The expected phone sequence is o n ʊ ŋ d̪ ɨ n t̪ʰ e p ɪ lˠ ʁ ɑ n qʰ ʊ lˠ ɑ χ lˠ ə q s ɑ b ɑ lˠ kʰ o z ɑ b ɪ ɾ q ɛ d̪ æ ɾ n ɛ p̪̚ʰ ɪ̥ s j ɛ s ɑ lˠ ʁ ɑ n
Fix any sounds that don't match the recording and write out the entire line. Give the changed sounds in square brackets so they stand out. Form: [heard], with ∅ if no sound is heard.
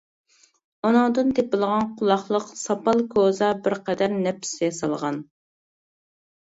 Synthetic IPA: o n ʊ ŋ d̪ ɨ n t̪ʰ e p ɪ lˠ ʁ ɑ n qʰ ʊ lˠ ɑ χ lˠ ə q s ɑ [p] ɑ lˠ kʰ o z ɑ b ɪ ɾ q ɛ d̪ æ ɾ n ɛ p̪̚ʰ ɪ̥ s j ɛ s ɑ lˠ ʁ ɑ n